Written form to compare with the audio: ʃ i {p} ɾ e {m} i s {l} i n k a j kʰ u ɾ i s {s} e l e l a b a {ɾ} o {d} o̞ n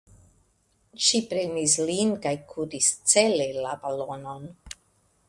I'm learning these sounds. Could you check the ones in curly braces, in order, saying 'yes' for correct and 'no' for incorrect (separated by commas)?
yes, no, yes, no, no, no